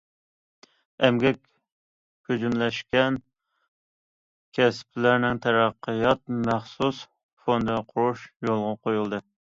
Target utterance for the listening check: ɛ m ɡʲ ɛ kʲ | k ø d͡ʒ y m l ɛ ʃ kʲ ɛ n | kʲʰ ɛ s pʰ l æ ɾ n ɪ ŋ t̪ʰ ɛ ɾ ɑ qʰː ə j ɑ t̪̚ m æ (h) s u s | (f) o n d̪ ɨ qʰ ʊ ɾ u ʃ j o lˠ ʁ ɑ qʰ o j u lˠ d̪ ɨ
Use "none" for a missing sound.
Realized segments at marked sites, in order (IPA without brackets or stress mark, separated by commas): χ, f